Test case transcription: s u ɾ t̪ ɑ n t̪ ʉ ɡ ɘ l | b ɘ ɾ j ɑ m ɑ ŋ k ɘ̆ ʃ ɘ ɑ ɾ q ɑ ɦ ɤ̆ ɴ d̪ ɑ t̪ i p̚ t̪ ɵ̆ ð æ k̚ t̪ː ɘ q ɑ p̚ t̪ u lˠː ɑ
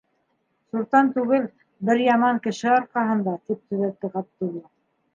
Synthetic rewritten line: s u ɾ t̪ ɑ n t̪ ʉ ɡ ɘ l | b ɘ ɾ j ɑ m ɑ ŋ k ɘ̆ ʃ ɘ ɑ ɾ q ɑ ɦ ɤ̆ n d̪ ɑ t̪ i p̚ t̪ ɵ̆ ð æ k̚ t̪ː ɘ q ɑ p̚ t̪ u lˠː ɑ

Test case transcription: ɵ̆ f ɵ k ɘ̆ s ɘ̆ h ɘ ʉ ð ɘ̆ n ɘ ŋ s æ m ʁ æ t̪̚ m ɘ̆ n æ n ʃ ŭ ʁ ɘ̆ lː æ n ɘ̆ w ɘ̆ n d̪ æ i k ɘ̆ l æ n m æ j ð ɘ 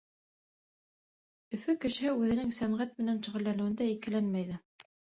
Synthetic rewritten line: ɵ̆ f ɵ k ɘ̆ ʃ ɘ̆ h ɘ ʉ ð ɘ̆ n ɘ ŋ s æ m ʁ æ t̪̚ m ɘ̆ n æ n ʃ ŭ ʁ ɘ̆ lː æ n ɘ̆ w ɘ̆ n d̪ æ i k ɘ̆ l æ n m æ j ð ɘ

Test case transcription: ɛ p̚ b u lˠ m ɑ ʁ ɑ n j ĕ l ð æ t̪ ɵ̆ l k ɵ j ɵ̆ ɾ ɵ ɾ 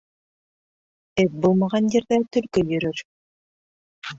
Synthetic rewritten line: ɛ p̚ b u lˠ m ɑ ʁ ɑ n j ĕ ɾ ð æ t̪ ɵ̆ l k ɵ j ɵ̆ ɾ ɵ ɾ

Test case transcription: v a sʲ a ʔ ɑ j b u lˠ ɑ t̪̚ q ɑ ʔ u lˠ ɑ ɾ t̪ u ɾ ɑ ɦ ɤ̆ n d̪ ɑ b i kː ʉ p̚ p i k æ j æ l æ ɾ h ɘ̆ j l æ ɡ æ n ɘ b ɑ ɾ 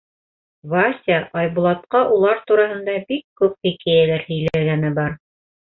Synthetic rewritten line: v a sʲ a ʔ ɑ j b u lˠ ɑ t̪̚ q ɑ ʔ u lˠ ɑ ɾ t̪ u ɾ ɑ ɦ ɤ̆ n d̪ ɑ b i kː ʉ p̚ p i k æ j æ l æ ɾ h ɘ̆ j l æ ɡ æ n ɘ b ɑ ɾ

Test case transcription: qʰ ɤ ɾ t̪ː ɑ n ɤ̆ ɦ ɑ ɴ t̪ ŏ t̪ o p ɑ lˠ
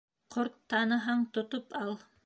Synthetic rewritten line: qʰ o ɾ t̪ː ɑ n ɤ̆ ɦ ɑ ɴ t̪ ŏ t̪ o p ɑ lˠ

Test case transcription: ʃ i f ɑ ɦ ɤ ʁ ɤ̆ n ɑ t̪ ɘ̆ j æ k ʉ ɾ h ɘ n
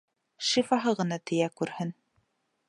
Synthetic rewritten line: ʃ i f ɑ ɦ ɤ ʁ ɤ̆ n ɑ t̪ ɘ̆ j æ k ʉ ɾ h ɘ n

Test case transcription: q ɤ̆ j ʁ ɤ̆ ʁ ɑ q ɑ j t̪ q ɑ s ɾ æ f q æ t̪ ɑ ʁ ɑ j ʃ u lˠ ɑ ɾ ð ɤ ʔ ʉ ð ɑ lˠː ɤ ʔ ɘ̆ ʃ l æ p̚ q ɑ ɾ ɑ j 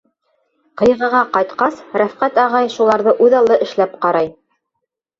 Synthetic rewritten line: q ɤ̆ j ʁ ɤ̆ ʁ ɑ q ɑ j t̪ q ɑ s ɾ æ f q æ t̪ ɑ ʁ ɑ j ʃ u lˠ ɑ ɾ ð ɤ ʔ ʉ ð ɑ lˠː ɤ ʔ ɘ̆ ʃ l æ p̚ q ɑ ɾ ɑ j

